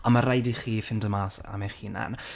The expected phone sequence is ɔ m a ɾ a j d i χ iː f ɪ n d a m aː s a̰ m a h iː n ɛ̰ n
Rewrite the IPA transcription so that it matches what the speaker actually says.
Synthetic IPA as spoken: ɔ m a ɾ a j d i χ iː f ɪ n d ə m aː s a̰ m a χ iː n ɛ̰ n